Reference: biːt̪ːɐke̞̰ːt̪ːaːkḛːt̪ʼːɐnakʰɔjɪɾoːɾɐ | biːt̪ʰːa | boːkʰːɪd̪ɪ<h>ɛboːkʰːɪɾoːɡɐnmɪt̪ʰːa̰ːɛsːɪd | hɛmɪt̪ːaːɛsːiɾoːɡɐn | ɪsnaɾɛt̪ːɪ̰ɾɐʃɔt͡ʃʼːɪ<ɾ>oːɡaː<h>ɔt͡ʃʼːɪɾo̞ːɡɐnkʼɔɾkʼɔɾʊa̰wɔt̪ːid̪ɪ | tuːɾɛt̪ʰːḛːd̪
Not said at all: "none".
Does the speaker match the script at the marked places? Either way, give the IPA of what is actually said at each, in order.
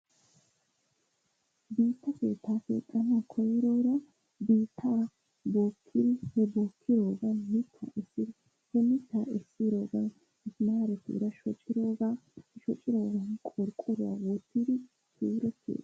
h, ɾ, ʃ

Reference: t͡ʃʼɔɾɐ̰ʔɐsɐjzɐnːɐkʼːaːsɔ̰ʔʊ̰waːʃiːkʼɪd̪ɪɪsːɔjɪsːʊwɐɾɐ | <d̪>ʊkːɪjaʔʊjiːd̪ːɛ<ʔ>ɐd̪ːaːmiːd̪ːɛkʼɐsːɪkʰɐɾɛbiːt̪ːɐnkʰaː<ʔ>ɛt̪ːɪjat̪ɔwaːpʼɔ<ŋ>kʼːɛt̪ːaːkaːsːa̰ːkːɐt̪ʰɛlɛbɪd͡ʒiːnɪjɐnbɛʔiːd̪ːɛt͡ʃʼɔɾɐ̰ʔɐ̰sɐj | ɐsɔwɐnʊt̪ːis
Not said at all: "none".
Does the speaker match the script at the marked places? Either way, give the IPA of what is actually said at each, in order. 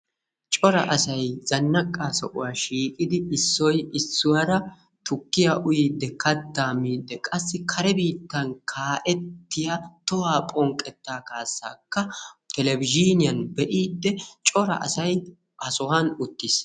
t̪, k, ʔ, ŋ

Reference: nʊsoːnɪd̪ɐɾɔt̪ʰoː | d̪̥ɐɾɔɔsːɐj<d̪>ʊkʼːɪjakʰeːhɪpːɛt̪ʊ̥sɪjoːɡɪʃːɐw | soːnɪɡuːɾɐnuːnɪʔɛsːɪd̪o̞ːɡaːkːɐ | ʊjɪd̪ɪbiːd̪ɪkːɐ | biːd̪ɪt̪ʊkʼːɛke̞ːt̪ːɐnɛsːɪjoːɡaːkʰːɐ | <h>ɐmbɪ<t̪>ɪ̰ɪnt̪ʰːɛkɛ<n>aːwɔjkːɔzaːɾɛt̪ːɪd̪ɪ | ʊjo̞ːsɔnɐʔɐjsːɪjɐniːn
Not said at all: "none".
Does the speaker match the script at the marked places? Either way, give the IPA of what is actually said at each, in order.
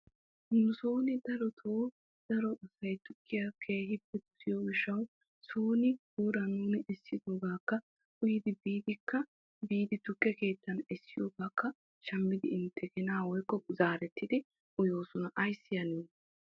t̪, ʃ, d̪, n

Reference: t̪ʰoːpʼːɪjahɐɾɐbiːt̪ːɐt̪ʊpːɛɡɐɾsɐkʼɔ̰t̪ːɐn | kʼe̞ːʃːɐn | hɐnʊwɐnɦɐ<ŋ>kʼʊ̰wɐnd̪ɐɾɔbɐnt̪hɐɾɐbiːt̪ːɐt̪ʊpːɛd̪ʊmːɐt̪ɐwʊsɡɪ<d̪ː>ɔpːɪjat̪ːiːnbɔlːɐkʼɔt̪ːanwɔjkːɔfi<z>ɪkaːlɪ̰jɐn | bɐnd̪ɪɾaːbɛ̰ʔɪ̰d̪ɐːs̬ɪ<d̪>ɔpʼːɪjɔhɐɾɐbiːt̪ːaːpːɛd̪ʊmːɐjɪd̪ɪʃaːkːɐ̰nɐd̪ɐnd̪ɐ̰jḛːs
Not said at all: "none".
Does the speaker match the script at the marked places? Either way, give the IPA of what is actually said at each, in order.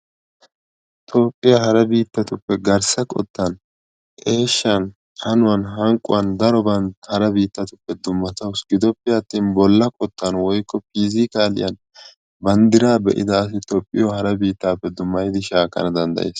ŋ, d̪, z, t̪

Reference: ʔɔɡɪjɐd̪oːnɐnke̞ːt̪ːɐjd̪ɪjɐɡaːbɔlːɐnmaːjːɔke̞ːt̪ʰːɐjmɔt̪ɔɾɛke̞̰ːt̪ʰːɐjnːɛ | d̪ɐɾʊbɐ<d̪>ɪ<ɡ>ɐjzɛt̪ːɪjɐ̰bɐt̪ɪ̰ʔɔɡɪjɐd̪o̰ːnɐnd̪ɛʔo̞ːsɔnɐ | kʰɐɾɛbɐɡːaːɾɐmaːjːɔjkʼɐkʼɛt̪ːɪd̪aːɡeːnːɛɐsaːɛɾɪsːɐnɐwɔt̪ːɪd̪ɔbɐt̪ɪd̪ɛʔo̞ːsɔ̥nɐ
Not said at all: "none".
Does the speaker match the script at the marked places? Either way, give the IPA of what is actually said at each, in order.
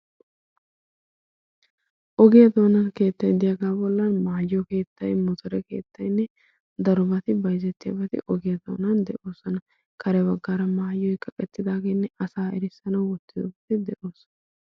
t̪, b

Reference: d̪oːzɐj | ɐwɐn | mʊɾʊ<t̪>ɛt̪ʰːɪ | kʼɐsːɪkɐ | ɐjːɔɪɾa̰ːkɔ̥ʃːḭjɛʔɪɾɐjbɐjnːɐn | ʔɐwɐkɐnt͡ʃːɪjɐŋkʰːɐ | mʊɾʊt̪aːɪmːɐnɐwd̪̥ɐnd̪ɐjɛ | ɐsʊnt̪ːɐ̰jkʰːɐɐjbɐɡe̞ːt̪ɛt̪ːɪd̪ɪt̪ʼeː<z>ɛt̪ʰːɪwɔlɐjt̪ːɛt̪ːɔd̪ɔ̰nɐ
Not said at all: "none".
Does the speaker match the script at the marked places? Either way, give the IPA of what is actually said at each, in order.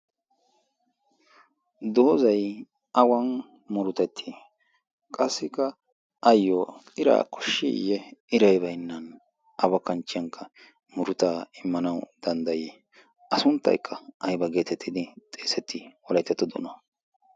t̪, s

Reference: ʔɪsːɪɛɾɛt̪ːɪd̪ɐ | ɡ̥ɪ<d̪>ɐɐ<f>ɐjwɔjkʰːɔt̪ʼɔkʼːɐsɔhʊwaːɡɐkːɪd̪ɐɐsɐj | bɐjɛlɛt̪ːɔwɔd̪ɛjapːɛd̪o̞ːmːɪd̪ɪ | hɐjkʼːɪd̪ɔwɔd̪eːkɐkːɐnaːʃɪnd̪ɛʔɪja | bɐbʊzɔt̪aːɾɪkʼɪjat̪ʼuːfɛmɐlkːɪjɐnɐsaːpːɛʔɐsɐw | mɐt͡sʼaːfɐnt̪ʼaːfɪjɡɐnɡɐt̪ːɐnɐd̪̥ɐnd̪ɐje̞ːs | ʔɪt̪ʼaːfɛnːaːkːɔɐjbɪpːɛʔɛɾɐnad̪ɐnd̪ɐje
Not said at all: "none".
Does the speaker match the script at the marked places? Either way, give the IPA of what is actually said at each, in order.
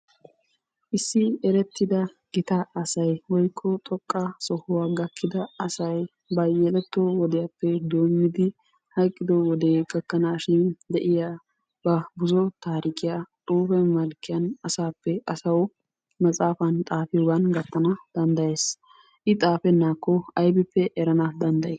t̪, s

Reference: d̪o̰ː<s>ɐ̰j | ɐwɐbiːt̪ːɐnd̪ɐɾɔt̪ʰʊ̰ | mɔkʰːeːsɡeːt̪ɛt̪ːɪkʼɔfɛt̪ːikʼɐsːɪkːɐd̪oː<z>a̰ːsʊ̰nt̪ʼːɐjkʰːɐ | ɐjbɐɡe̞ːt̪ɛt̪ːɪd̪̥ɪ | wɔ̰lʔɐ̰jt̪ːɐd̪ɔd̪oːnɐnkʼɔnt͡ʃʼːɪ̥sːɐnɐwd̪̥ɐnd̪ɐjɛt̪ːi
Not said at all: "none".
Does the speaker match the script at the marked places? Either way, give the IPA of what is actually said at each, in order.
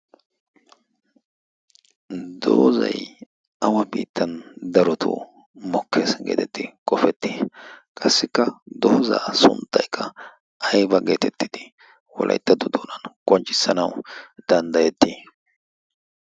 z, z

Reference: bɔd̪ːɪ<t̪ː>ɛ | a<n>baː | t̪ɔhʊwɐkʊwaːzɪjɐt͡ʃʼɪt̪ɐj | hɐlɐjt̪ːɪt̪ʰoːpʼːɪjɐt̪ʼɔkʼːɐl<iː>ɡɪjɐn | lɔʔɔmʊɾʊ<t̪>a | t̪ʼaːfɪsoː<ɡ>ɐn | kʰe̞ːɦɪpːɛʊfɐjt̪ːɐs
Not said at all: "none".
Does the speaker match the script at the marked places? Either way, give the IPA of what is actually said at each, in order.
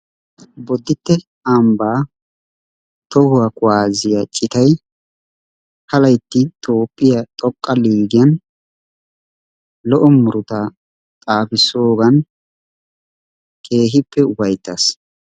t̪ː, m, iː, t̪, ɡ

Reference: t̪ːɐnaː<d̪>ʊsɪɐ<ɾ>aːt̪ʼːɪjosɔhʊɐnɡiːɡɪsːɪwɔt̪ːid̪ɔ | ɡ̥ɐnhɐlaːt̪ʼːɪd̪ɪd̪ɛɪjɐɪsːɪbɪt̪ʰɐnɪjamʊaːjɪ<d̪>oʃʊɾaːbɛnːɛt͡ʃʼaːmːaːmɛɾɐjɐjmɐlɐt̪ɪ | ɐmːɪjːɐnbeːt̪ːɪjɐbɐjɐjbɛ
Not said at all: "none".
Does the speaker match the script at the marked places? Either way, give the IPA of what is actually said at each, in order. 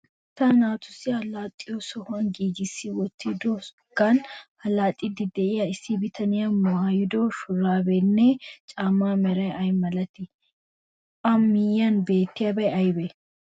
t̪, l, d̪

